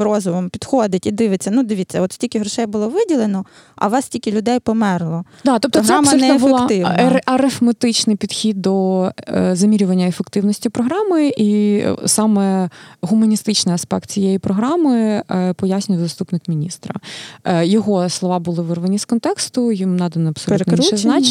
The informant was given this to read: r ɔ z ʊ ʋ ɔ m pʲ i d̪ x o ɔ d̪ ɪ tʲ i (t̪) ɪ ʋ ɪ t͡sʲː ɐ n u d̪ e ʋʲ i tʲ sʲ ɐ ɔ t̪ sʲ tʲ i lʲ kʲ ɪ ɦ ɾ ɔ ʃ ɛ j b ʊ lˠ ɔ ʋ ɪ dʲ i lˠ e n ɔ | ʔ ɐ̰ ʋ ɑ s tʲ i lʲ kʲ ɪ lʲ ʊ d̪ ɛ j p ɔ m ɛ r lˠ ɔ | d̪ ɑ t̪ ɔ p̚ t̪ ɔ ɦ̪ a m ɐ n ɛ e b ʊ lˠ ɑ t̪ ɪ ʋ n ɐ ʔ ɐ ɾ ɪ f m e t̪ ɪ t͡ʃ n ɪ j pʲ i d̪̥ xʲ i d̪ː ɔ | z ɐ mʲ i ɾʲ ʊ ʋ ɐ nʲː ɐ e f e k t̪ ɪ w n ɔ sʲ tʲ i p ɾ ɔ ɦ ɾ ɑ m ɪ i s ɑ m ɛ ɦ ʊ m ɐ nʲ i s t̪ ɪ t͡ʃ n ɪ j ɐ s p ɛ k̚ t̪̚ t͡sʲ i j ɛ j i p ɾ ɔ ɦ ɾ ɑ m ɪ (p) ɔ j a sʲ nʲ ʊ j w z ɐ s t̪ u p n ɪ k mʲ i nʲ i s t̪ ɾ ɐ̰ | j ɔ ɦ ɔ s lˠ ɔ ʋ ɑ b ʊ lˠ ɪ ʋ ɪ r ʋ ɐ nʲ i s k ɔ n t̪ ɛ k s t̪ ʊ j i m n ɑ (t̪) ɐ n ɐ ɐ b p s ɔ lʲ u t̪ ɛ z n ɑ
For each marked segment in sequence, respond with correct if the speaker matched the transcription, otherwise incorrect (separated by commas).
incorrect, correct, incorrect